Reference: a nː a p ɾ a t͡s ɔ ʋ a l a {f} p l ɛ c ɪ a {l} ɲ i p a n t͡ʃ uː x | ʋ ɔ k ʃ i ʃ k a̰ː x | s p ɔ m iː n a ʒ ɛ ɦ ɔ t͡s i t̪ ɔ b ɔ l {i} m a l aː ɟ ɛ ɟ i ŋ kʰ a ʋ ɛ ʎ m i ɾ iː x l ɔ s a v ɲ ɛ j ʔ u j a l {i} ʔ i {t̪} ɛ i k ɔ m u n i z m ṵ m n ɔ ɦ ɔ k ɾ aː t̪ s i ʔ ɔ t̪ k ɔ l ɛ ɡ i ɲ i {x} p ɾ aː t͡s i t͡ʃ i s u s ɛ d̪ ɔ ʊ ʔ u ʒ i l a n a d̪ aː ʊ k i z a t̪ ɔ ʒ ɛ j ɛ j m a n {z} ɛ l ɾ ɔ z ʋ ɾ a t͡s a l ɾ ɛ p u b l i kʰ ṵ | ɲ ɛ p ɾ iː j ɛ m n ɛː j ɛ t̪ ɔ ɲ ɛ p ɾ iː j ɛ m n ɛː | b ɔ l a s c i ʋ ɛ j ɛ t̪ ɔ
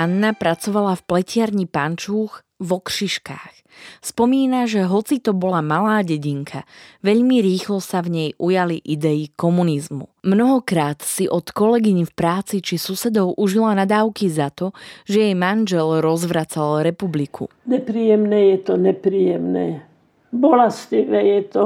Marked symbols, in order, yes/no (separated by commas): yes, no, no, yes, no, no, no